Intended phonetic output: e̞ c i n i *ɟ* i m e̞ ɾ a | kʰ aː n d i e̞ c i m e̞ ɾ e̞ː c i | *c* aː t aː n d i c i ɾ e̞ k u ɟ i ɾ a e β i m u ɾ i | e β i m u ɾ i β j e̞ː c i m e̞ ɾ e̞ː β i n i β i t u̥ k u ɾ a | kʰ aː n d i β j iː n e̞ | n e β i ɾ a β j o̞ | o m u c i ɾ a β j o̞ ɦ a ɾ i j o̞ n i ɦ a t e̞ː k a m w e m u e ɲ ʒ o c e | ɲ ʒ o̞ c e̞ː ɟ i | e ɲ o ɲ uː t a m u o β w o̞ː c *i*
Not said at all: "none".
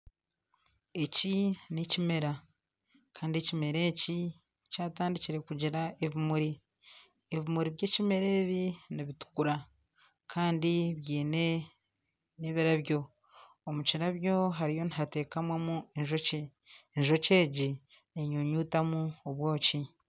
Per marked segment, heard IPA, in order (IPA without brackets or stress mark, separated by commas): c, c, i